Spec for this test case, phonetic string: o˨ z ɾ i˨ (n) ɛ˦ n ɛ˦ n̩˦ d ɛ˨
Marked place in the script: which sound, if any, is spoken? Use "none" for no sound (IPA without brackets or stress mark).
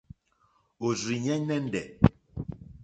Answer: ɲ